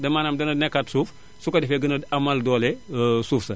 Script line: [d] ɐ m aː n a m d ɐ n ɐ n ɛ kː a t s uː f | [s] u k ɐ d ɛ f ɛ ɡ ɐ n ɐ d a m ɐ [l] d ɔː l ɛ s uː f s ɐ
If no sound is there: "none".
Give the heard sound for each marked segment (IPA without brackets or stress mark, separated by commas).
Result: d, s, l